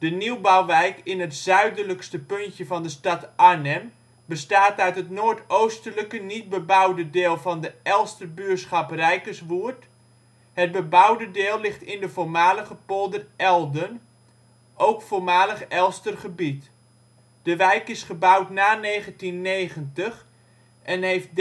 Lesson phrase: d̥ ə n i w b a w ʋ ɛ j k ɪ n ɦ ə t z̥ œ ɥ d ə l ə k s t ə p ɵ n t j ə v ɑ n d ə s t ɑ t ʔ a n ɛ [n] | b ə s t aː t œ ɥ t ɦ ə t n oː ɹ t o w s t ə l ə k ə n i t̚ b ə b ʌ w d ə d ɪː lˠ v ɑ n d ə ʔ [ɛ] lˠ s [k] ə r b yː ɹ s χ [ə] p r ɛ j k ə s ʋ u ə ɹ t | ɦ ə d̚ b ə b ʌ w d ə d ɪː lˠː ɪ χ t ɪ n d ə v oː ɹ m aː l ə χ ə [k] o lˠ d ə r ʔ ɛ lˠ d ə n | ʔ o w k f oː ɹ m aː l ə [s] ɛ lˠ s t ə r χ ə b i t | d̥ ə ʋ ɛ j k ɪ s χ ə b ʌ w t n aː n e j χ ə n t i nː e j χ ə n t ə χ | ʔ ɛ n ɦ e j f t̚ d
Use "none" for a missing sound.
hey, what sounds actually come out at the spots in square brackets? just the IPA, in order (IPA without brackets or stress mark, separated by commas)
m, ɛ, t, ɑ, p, χ